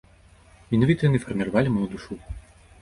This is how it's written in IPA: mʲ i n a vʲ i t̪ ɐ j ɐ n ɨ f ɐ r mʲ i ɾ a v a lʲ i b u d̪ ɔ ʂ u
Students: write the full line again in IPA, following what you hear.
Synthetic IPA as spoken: mʲ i n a vʲ i t̪ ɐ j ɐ n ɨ f ɐ r mʲ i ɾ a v a lʲ i m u d̪ u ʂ u